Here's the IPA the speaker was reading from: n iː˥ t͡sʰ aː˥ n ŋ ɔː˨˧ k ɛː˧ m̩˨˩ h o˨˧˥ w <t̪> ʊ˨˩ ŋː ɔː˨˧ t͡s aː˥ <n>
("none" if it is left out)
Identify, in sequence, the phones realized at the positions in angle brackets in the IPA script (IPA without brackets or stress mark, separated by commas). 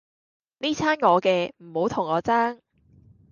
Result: t̪ʰ, ŋ